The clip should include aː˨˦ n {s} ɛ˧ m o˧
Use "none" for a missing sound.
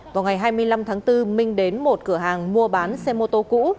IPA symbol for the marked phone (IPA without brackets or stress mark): s